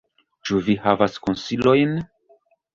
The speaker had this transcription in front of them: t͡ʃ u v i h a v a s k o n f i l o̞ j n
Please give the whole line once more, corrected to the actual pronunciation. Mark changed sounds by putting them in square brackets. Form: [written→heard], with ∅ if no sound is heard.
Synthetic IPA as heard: t͡ʃ u v i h a v a s k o n [f→s] i l o̞ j n